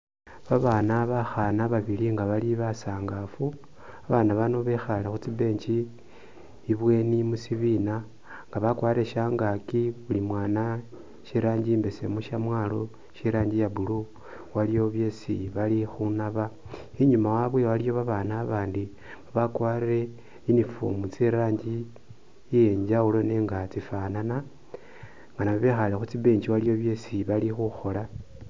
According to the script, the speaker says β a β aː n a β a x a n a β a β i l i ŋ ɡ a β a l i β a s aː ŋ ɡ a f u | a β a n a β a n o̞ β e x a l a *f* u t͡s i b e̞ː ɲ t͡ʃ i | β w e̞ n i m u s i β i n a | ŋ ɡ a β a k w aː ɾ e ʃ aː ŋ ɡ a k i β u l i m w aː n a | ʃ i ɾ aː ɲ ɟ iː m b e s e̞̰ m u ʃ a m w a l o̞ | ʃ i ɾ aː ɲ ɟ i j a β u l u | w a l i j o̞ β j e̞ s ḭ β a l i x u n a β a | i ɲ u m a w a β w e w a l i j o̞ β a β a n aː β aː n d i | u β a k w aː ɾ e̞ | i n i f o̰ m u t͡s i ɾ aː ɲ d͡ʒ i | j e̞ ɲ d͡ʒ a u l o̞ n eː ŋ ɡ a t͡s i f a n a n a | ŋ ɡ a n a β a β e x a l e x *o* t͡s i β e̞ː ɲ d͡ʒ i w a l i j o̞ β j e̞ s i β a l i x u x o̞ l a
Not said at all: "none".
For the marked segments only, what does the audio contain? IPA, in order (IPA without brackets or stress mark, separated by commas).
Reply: x, u